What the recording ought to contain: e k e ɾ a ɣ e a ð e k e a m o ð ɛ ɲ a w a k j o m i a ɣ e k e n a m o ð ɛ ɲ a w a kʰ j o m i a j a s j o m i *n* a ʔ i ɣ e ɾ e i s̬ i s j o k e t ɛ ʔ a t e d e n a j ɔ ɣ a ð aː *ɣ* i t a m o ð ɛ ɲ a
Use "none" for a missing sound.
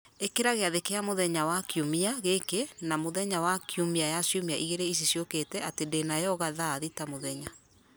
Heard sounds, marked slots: none, ð

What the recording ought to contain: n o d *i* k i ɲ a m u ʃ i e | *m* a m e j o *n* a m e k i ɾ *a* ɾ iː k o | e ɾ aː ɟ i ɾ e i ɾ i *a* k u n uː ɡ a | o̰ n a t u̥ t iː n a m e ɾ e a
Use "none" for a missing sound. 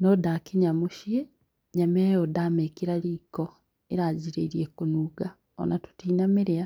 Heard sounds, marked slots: a, ɲ, d, a, e

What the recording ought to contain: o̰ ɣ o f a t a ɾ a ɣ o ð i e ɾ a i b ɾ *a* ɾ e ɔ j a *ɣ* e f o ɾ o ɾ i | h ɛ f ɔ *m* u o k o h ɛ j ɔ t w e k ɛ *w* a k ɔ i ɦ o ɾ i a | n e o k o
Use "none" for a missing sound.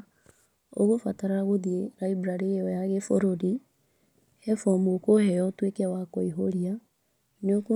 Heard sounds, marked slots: a, ɣ, m, w

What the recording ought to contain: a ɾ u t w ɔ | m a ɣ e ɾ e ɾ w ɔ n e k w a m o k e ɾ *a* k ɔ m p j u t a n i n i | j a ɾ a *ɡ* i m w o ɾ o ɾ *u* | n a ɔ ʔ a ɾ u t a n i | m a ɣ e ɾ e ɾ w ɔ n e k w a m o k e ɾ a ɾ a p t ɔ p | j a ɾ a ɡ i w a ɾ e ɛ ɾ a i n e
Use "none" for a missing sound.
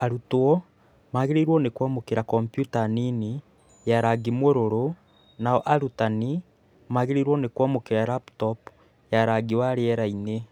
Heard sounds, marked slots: a, ɡ, o

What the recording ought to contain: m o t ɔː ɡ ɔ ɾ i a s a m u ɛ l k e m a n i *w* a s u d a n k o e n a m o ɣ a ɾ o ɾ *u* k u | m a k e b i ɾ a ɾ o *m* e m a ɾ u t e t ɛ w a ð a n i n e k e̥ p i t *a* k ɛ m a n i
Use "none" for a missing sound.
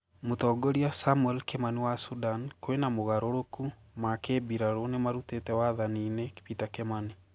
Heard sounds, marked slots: w, o, n, a

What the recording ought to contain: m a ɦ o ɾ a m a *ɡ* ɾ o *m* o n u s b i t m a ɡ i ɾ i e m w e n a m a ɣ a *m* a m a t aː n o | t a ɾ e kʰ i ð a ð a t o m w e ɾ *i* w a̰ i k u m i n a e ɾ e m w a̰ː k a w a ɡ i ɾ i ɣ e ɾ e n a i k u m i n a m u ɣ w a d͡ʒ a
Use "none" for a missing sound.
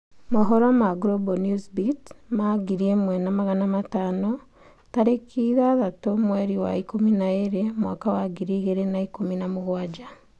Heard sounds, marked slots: ɡ, b, n, i

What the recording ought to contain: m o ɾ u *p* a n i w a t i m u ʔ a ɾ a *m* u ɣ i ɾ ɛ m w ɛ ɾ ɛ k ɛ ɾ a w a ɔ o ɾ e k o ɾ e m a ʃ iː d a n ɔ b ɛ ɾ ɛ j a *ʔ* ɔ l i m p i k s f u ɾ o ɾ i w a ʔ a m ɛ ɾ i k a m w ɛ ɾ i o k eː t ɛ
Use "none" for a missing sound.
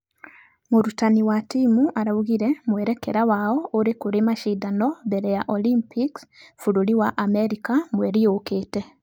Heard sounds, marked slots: t, none, ʔ

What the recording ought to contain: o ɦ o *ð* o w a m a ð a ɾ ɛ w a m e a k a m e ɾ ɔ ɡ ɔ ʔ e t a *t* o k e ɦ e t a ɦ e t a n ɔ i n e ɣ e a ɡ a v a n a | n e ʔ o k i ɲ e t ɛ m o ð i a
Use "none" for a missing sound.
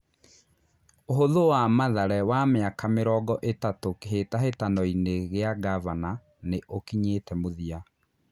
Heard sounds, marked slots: ð, t

